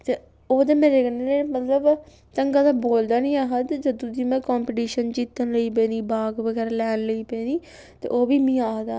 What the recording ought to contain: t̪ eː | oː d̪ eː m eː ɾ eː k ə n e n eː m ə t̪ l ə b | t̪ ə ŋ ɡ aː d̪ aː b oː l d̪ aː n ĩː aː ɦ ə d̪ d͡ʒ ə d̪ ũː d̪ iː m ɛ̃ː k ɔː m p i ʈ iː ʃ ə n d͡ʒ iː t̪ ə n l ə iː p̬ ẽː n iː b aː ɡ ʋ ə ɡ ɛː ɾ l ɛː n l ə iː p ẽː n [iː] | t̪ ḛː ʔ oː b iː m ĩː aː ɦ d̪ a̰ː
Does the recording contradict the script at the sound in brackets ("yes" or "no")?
no